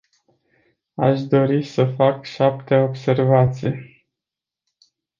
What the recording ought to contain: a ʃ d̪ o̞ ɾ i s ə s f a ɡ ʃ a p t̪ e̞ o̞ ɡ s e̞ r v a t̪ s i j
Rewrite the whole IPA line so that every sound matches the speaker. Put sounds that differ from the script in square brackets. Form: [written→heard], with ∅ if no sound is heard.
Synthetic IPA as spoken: a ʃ d̪ o̞ ɾ i s ə [s→∅] f a [ɡ→k] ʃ a p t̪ e̞ o̞ [ɡ→b] s e̞ r v a t̪ s i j